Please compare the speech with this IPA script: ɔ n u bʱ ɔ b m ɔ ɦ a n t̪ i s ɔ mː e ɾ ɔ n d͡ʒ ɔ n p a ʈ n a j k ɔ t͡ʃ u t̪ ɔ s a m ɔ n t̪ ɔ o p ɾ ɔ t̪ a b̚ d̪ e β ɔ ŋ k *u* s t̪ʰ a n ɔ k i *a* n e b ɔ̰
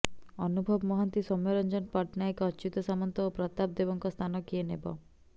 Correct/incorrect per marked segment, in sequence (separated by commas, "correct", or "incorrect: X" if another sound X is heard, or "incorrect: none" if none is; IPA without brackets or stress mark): incorrect: ɔ, incorrect: e